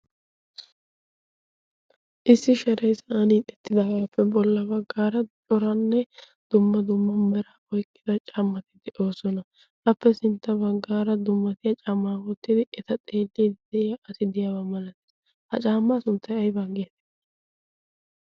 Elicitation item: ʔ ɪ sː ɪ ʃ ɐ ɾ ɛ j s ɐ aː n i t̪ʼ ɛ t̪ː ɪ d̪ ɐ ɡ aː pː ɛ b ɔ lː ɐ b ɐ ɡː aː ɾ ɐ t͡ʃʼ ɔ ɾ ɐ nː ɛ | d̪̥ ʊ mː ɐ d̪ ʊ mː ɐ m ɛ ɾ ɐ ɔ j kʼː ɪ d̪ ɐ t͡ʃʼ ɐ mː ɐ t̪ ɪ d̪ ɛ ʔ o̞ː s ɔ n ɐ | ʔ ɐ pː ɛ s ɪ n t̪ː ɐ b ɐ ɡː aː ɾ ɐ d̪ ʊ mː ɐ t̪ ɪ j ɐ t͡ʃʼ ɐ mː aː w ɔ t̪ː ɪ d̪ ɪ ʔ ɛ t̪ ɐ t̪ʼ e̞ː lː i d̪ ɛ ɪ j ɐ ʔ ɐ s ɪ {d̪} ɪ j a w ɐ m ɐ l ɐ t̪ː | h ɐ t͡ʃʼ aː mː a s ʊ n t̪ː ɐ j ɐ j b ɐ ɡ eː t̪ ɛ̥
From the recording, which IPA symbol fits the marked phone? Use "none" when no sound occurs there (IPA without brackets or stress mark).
d̪